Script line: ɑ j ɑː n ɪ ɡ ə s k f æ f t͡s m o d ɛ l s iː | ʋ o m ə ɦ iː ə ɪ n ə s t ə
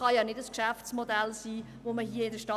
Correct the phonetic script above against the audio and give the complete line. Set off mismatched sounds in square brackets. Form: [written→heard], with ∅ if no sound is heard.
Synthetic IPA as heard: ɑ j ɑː n ɪ [ɡ→d] ə s k [f→ʃ] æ f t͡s m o d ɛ l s iː | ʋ o m ə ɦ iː ə ɪ [n→d] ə [s→ʃ] t [ə→ɑ]